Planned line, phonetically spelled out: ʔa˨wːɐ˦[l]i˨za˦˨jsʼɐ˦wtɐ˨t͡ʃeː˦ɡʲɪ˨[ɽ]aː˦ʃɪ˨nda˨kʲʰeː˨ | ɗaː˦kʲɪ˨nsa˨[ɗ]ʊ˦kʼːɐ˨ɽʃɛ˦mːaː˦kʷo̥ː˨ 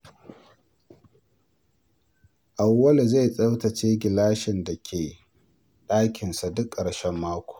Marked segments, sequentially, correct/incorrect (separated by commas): correct, incorrect, incorrect